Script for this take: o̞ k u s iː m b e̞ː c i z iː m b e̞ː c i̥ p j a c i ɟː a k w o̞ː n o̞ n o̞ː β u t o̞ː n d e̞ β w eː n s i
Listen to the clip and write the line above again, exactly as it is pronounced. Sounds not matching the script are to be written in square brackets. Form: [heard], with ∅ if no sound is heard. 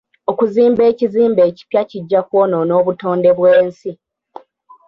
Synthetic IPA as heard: o̞ k u [z] iː m b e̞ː c i z iː m b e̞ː c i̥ p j a c i ɟː a k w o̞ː n o̞ n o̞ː β u t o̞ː n d e̞ β w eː n s i